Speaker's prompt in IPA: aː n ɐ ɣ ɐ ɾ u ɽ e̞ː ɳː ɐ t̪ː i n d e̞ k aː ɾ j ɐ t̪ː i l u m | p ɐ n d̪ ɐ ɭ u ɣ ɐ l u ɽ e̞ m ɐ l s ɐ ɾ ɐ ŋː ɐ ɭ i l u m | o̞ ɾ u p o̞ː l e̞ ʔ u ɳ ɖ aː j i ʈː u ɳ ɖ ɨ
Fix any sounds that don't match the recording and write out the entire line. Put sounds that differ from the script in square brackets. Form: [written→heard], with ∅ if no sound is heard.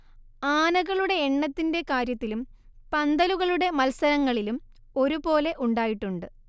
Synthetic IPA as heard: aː n ɐ ɣ ɐ [ɾ→ɭ] u ɽ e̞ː ɳː ɐ t̪ː i n d e̞ k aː ɾ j ɐ t̪ː i l u m | p ɐ n d̪ ɐ [ɭ→l] u ɣ ɐ [l→ɭ] u ɽ e̞ m ɐ l s ɐ ɾ ɐ ŋː ɐ ɭ i l u m | o̞ ɾ u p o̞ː l e̞ ʔ u ɳ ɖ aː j i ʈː u ɳ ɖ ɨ